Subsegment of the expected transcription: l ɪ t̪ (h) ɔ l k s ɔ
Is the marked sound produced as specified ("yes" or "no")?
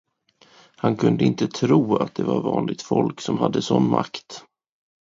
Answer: no